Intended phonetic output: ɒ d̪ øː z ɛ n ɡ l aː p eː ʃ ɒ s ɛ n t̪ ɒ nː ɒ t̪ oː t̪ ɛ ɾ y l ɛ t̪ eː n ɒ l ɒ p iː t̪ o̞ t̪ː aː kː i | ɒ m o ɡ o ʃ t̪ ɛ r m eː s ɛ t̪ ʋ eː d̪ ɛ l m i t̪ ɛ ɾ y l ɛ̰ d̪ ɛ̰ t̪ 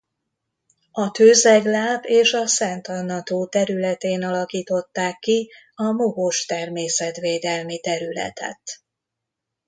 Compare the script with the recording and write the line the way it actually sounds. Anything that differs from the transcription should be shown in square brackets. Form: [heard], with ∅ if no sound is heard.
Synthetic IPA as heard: ɒ [t̪] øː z ɛ [∅] ɡ l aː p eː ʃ ɒ s ɛ n t̪ ɒ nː ɒ t̪ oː t̪ ɛ ɾ y l ɛ t̪ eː n ɒ l ɒ [k] iː t̪ o̞ t̪ː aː kː i | ɒ m o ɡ o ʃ t̪ ɛ r m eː s ɛ t̪ ʋ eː d̪ ɛ l m i t̪ ɛ ɾ y l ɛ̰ [t̪] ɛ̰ t̪